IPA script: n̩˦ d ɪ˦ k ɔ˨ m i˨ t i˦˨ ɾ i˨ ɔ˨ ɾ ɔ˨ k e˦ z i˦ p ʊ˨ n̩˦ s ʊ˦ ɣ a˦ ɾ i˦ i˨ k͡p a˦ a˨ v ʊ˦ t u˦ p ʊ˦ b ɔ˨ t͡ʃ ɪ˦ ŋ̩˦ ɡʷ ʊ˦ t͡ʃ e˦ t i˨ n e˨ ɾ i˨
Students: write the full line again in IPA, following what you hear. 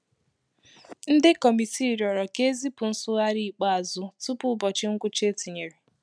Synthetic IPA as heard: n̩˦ d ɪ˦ k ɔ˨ m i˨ t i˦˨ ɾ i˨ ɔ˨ ɾ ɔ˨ k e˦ z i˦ p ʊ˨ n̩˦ s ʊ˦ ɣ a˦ ɾ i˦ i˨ k͡p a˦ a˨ z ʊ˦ t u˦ p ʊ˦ b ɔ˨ t͡ʃ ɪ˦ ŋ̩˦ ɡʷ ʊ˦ t͡ʃ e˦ t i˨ ɲ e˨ ɾ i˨